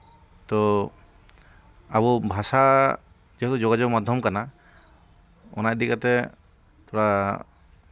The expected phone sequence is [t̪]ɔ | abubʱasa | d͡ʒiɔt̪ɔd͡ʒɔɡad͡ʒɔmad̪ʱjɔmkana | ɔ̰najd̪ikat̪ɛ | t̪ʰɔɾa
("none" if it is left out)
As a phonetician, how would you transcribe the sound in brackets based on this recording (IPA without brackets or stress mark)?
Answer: t̪